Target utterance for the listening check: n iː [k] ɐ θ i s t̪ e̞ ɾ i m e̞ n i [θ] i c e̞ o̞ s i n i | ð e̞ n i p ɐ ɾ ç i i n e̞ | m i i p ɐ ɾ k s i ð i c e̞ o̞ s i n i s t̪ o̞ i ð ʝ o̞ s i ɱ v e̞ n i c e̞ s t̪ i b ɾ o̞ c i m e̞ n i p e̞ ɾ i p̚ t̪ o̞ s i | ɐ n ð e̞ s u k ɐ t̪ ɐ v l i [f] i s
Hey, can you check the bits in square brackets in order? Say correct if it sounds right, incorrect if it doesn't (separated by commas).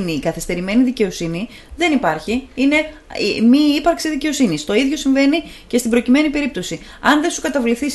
correct, incorrect, incorrect